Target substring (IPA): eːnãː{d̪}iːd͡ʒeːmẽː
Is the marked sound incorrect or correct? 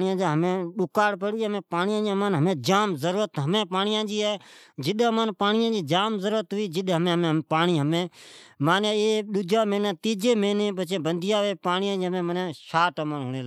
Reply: incorrect